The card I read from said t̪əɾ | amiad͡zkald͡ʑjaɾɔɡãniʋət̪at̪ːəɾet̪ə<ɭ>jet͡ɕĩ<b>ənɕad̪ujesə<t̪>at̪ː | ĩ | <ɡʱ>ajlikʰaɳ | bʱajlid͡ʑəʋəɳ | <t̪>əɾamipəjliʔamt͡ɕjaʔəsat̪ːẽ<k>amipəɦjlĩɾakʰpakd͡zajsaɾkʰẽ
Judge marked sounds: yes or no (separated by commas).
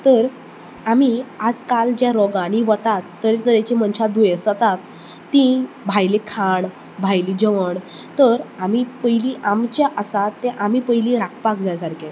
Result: no, no, yes, no, yes, no